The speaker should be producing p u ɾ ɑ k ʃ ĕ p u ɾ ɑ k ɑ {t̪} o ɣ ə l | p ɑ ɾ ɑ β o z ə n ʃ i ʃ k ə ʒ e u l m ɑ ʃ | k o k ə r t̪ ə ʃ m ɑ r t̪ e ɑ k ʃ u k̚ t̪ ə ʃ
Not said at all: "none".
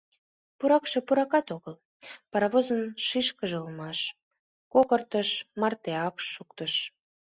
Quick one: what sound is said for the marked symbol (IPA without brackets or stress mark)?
t̪